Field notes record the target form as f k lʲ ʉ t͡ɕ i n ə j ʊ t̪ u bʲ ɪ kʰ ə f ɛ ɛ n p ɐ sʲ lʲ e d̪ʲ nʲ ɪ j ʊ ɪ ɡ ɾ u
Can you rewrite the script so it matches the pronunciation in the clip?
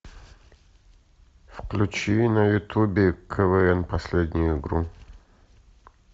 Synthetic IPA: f k lʲ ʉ t͡ɕ i n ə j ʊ t̪ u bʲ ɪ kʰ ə v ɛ ɛ n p ɐ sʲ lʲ e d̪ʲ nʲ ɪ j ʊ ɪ ɡ ɾ u